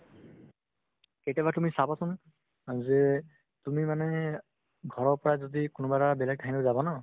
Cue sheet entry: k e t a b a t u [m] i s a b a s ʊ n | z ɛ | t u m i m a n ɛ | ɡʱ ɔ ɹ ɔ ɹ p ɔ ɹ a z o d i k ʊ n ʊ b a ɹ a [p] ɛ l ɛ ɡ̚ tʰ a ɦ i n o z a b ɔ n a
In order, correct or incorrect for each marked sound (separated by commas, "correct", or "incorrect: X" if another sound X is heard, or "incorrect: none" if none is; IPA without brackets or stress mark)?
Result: correct, incorrect: b